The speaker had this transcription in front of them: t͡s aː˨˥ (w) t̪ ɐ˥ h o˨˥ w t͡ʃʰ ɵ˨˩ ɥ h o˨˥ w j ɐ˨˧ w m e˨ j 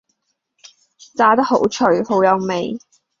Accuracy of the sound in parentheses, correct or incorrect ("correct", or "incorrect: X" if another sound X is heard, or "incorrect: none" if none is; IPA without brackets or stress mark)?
incorrect: none